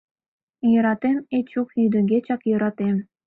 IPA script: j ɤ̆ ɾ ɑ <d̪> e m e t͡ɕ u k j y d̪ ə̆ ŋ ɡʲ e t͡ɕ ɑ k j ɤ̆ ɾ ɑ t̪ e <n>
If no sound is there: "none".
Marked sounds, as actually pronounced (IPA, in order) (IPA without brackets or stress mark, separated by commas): t̪, m